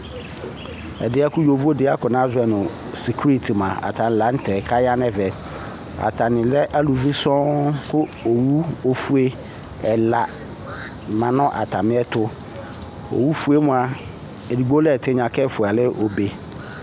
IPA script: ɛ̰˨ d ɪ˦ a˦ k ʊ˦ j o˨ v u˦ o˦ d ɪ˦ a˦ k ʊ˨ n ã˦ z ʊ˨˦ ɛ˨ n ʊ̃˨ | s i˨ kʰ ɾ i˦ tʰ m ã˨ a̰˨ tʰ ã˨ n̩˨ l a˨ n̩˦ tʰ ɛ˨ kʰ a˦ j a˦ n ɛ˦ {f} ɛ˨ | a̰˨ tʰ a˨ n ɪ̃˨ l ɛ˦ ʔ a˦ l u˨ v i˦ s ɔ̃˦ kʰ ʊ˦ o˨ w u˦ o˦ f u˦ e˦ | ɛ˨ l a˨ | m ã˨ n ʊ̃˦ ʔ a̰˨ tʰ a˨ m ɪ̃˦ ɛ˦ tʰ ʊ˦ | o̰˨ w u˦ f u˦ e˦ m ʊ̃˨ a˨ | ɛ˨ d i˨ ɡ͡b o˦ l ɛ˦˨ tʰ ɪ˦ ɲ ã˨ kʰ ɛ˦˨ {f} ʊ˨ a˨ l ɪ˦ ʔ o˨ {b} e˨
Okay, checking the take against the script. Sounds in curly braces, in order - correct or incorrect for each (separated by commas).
incorrect, correct, correct